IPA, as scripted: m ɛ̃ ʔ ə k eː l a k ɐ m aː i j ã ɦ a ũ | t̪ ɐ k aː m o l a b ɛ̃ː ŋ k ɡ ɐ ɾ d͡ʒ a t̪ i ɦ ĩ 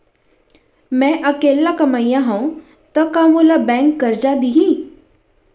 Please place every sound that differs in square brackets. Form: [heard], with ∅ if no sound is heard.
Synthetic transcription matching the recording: m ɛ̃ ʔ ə k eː l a k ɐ m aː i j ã ɦ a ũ | t̪ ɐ k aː m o l a b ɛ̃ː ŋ k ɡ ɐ ɾ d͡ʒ a [d̪] i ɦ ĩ